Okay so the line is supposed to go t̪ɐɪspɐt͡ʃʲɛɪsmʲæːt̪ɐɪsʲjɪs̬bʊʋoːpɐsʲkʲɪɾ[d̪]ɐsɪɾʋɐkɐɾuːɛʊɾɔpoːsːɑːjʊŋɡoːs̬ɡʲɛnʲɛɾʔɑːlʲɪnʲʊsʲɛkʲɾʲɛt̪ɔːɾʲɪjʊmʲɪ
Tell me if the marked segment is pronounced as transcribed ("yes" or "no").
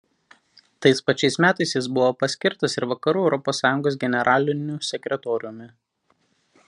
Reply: no